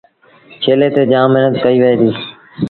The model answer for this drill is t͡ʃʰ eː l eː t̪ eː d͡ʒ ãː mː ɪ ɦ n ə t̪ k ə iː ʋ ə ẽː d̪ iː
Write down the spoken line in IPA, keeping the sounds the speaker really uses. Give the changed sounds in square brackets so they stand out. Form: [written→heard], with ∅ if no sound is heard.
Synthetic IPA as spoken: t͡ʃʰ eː l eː t̪ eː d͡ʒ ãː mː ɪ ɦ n ə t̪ k ə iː ʋ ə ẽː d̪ iː